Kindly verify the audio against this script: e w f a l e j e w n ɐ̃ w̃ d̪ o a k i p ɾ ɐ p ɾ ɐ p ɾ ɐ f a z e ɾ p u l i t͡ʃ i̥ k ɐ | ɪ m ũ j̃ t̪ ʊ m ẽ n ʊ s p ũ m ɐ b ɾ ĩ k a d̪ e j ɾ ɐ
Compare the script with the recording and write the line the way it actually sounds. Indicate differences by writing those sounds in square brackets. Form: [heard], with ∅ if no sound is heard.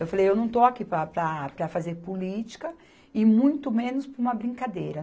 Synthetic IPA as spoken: e w f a l e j e w n ɐ̃ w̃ [t̪] o a k i p ɾ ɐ p ɾ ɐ p ɾ ɐ f a z e ɾ p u l i t͡ʃ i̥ k ɐ | ɪ m ũ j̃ t̪ ʊ m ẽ n ʊ s p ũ m ɐ b ɾ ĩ k a d̪ e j ɾ ɐ